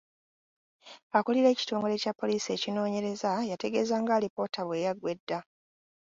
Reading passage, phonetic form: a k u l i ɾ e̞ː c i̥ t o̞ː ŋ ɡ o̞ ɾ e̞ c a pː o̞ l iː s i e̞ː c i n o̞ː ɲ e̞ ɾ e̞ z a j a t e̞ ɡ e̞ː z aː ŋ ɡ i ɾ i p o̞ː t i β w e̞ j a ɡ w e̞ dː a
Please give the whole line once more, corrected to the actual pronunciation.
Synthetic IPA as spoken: a k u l i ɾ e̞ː c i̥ t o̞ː ŋ ɡ o̞ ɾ e̞ c a pː o̞ l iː s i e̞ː c i n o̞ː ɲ e̞ ɾ e̞ z a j a t e̞ ɡ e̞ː z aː ŋ ɡ a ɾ i p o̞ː t a β w e̞ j a ɡ w e̞ dː a